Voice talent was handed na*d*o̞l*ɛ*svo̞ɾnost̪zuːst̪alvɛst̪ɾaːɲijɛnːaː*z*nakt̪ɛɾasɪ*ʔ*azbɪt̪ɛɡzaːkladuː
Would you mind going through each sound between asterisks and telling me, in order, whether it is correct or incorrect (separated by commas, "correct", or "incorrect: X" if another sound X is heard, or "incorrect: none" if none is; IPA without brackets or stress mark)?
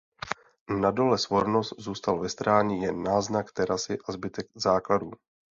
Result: correct, correct, correct, correct